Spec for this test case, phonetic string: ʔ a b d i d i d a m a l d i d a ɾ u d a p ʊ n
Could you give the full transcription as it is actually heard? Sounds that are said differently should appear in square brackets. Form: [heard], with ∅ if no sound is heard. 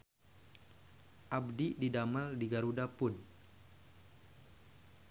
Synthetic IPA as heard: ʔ a b d i d i d a m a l d i [ɡ] a ɾ u d a p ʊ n